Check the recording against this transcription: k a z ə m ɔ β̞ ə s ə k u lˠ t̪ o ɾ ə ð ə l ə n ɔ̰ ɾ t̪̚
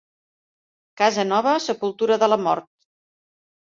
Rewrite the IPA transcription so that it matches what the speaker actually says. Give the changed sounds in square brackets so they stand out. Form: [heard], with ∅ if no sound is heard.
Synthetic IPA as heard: k a z ə [n] ɔ β̞ ə s ə [p] u lˠ t̪ [u] ɾ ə ð ə l ə [m] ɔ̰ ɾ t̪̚

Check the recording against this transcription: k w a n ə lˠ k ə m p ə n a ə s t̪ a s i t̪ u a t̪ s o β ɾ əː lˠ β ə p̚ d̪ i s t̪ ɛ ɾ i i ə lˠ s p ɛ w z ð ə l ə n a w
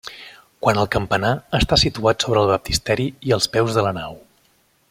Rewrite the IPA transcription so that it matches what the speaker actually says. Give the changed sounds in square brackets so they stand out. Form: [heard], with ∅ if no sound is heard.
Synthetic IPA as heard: k w a n ə lˠ k ə m p ə n a ə s t̪ a s i t̪ u a t̪ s o β ɾ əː lˠ β ə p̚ [t̪] i s t̪ ɛ ɾ i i ə lˠ s p ɛ w z ð ə l ə n a w

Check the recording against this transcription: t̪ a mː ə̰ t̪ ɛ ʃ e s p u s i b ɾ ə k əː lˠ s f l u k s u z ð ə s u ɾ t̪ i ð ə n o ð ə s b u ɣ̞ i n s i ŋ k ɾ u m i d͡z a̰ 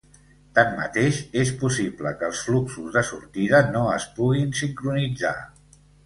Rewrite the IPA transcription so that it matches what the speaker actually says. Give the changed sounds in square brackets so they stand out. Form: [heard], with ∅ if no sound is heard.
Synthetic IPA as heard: t̪ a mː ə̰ t̪ [e] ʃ e s p u s i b [l] ə k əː lˠ s f l u k s u z ð ə s u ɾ t̪ i ð ə n o [∅] ə s [p] u ɣ̞ i n s i ŋ k ɾ u [n] i d͡z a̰

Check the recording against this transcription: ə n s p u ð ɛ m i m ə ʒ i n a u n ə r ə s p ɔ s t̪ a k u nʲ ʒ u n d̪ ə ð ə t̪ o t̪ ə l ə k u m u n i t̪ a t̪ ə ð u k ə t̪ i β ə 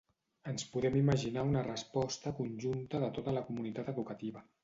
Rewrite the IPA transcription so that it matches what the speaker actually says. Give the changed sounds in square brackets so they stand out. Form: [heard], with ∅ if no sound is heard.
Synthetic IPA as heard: ə n s p u ð ɛ m i m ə ʒ i n a u n ə r ə s p ɔ s t̪ [ə] k u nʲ ʒ u n [t̪] ə ð ə t̪ o t̪ ə l ə k u m u n i t̪ a t̪ ə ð u k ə t̪ i β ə

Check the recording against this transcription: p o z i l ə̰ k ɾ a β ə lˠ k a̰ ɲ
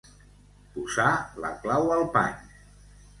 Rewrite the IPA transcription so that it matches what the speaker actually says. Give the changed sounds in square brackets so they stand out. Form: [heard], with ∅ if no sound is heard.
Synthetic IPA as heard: p [u] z [a] l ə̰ k [l] a [w] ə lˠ [p] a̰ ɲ

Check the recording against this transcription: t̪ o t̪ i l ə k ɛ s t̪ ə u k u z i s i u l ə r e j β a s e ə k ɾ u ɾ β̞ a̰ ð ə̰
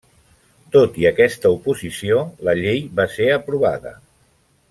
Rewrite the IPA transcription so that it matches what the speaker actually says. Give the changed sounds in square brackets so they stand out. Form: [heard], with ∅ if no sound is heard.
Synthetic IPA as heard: t̪ o t̪ i [∅] ə k ɛ s t̪ ə u [p] u z i s i [o] l ə [ʎ] e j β a s e ə [p] ɾ u [∅] β̞ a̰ ð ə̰

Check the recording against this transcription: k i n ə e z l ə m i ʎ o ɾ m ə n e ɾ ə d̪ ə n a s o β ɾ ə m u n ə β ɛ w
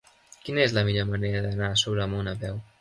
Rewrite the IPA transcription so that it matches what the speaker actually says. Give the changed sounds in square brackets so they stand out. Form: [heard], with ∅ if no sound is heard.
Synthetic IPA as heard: k i n ə e z l ə m i ʎ o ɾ m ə n e ɾ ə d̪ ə n a s o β ɾ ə m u n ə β ɛ w

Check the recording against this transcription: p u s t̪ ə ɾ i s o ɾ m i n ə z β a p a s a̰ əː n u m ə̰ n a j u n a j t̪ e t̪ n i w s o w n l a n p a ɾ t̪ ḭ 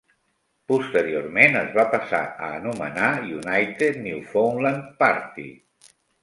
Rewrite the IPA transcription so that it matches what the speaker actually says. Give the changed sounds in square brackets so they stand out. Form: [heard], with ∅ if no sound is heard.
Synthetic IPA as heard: p u s t̪ ə ɾ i [∅] o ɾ m [e] n ə z β a p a s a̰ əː n u m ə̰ n a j u n a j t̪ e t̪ n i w [f] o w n l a n p a ɾ t̪ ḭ

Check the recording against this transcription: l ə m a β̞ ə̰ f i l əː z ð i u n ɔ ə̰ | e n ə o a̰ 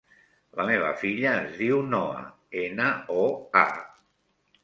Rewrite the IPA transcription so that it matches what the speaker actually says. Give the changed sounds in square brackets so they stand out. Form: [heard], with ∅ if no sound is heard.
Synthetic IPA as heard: l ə m [e] β̞ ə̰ f i [ʎ] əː z ð i [w] n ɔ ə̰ | e n ə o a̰

